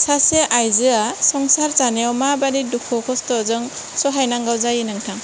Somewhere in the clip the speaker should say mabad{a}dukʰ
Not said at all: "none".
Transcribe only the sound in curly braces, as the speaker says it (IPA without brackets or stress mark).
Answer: i